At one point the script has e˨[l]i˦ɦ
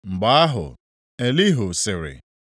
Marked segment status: correct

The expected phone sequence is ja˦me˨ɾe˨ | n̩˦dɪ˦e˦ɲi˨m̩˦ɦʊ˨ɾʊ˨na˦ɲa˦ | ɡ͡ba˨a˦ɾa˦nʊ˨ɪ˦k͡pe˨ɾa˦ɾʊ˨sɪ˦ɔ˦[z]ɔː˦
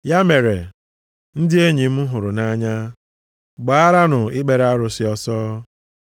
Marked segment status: incorrect: s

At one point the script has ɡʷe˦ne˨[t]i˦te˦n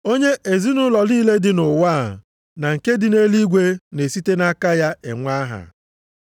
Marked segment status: incorrect: s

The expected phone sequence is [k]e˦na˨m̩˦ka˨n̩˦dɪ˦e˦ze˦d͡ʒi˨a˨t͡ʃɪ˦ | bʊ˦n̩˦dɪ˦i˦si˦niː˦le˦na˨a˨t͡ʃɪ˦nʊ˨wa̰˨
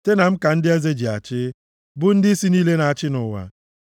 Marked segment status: incorrect: t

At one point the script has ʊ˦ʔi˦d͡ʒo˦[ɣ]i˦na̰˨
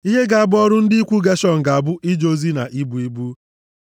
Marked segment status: incorrect: z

